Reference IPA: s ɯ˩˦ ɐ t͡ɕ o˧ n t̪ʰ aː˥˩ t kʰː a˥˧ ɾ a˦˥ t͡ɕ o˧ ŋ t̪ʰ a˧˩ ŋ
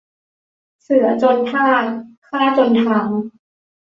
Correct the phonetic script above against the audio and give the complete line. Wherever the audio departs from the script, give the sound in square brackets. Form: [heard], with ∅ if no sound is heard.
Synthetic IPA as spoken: s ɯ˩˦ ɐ t͡ɕ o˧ n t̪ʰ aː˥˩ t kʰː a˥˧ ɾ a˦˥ t͡ɕ o˧ [n] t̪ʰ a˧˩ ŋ

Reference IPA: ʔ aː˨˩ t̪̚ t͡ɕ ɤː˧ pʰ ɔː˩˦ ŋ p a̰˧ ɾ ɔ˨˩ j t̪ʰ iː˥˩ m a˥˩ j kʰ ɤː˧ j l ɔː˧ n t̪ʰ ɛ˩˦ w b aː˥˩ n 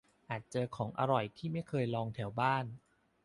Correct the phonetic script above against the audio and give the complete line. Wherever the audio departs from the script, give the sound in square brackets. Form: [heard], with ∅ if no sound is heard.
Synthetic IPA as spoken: ʔ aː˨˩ t̪̚ t͡ɕ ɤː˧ [kʰ] ɔː˩˦ ŋ [ʔ] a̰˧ ɾ ɔ˨˩ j t̪ʰ iː˥˩ m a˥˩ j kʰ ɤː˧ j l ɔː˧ [ŋ] t̪ʰ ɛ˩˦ w b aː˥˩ n

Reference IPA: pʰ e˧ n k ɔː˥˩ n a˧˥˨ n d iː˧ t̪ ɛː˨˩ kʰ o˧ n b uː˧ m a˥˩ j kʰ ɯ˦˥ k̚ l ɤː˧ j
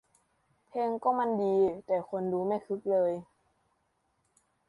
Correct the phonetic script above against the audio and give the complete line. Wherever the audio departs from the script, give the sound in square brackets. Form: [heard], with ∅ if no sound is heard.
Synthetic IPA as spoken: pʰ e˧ [ŋ] k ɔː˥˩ [m] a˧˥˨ n d iː˧ t̪ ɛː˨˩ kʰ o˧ n [d] uː˧ m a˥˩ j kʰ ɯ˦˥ k̚ l ɤː˧ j

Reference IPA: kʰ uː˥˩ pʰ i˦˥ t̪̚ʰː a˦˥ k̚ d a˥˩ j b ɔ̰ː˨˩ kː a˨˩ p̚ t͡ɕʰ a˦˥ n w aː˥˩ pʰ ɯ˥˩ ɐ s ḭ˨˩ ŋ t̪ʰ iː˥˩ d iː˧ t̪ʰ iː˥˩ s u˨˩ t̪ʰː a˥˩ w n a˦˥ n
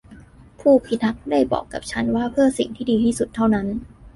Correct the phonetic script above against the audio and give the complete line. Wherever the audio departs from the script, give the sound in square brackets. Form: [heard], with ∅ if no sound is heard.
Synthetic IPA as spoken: [pʰ] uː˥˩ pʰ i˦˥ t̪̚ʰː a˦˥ k̚ d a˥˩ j b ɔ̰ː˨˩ kː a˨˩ p̚ t͡ɕʰ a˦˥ n w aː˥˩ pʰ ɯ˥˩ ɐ s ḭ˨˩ ŋ t̪ʰ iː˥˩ d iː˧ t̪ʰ iː˥˩ s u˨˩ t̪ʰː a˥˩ w n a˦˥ n

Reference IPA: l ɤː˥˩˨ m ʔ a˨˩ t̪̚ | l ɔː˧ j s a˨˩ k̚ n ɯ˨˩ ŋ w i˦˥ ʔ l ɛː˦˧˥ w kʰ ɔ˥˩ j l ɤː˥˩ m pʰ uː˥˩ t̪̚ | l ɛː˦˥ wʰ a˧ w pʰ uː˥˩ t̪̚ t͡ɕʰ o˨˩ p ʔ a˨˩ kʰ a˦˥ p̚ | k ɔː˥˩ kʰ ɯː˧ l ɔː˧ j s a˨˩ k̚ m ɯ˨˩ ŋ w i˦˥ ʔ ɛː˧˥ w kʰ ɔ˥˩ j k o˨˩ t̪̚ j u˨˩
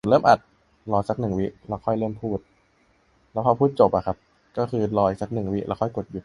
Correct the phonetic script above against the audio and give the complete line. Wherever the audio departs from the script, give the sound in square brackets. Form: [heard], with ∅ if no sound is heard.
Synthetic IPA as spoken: l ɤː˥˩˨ m ʔ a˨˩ t̪̚ | l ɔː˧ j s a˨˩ k̚ n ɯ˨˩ ŋ w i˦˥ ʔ l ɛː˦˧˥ w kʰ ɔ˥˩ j l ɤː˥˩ m pʰ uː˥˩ t̪̚ | l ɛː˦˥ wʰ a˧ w pʰ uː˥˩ t̪̚ [t͡ɕ] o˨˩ p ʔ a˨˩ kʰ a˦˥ p̚ | k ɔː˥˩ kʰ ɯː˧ l ɔː˧ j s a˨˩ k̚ [n] ɯ˨˩ ŋ w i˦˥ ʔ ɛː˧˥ w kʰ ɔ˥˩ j k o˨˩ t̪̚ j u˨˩

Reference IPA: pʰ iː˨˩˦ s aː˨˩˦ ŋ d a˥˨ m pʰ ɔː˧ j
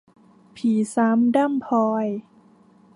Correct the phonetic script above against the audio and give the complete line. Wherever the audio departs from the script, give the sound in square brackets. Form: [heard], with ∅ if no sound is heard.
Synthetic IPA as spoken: pʰ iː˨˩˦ s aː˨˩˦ [m] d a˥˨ m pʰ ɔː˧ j

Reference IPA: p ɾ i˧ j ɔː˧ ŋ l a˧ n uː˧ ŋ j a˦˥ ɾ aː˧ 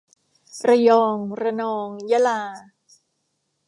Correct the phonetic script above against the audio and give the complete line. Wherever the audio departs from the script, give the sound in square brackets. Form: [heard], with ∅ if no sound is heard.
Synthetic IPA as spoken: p ɾ [a˧] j ɔː˧ ŋ [ɾ] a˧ n [ɔː˧] ŋ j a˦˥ [l] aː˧

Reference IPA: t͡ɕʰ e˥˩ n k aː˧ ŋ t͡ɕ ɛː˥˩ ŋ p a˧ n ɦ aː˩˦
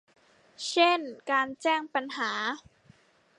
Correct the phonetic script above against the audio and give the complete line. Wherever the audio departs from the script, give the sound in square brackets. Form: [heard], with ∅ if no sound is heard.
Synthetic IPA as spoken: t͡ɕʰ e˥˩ n k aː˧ [n] t͡ɕ ɛː˥˩ ŋ p a˧ n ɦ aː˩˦

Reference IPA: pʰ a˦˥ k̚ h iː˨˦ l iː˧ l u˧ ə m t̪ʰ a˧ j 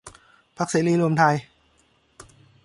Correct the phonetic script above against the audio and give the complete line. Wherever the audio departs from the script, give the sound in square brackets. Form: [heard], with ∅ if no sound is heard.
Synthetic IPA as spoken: pʰ a˦˥ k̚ [s] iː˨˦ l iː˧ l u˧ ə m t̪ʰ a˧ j

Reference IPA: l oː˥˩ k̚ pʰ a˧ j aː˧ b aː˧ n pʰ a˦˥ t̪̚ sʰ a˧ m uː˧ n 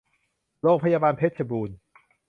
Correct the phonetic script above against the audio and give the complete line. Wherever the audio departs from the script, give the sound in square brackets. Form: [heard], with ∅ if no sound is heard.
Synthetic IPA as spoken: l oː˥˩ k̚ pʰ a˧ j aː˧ b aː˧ n pʰ [e˦˥] t̪̚ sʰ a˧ [b] uː˧ n

